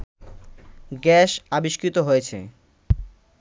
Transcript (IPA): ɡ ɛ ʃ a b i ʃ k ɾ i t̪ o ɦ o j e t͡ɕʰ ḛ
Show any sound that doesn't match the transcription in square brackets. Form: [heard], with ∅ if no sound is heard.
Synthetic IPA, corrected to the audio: ɡ ɛ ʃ a b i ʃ k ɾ i t̪ o ɦ o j e t͡ɕʰ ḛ